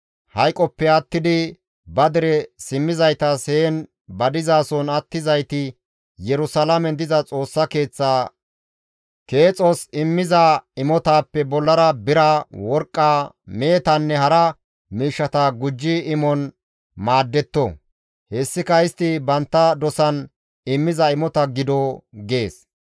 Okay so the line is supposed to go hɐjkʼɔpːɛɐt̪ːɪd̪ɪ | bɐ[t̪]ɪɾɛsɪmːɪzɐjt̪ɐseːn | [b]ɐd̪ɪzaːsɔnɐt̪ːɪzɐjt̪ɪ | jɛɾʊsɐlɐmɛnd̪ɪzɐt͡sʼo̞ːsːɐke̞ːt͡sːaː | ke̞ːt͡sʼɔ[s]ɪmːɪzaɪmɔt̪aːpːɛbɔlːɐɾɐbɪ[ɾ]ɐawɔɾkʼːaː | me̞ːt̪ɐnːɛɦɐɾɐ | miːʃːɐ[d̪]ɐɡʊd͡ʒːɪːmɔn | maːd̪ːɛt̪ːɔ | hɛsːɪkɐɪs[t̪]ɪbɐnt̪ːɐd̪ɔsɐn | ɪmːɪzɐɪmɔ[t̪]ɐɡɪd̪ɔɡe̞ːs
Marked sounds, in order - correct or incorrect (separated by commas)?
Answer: incorrect, correct, correct, correct, incorrect, correct, correct